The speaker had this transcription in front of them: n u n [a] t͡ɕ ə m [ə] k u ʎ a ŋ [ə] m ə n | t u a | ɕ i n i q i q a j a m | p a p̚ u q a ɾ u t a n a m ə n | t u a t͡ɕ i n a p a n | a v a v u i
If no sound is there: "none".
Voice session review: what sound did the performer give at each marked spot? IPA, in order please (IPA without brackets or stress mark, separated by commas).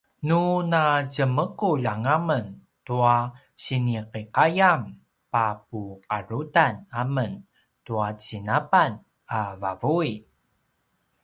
a, ə, a